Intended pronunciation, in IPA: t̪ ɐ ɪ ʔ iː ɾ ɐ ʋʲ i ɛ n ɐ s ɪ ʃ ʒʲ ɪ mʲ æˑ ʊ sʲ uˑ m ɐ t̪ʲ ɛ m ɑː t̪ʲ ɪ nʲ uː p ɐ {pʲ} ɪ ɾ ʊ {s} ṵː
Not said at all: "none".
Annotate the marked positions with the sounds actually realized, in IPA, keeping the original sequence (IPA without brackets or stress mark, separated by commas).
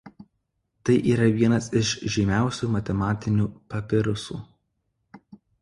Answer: pʲ, s